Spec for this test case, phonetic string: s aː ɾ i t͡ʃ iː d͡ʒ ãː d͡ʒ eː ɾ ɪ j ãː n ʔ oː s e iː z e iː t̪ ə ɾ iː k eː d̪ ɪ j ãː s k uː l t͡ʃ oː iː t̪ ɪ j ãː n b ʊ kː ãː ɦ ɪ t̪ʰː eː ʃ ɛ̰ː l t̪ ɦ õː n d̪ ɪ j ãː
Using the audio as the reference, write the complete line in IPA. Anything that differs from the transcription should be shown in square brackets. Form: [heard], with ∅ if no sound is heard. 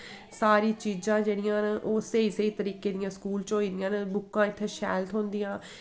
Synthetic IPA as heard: s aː ɾ [iː] t͡ʃ iː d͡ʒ ãː d͡ʒ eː [ɽ] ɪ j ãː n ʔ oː s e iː [s] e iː t̪ ə ɾ iː k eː d̪ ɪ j ãː s k uː l t͡ʃ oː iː [d̪] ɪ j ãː n b ʊ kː ãː [∅] ɪ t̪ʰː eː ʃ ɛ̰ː l t̪ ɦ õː n d̪ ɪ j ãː